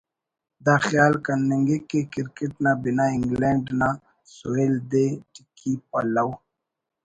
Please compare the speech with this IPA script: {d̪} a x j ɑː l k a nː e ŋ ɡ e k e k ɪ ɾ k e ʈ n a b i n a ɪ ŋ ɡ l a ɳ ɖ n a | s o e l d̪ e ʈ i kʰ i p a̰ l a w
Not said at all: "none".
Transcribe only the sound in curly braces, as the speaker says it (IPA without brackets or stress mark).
d̪